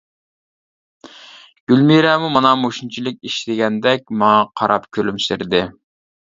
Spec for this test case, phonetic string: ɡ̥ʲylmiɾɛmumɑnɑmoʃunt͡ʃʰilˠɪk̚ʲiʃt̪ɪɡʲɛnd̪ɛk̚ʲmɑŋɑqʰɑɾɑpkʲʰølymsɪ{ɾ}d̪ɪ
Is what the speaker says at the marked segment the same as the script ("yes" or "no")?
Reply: yes